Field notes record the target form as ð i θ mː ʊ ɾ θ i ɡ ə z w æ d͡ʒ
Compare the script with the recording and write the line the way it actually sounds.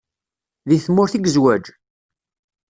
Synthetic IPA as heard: ð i θ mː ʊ ɾ θ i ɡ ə z w æ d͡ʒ